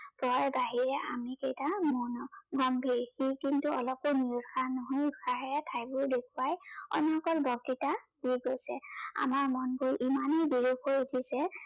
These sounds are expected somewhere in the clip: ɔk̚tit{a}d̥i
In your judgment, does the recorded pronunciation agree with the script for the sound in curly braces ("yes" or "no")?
yes